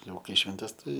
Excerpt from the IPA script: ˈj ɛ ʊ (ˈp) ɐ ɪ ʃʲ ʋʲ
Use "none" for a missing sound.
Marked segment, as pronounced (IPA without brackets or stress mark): k